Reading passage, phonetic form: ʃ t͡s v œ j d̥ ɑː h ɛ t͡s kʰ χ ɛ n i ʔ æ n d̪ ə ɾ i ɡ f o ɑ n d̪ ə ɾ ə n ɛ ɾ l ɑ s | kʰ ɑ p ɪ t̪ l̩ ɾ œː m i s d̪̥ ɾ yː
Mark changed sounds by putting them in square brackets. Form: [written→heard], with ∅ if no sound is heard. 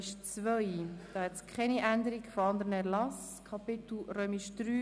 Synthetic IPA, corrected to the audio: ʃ t͡s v œ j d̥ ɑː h ɛ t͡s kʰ χ ɛ n i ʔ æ n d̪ ə ɾ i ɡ f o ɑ n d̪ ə ɾ ə n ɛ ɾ l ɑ s | kʰ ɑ p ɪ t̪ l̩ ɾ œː m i [s→ʃ] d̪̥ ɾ yː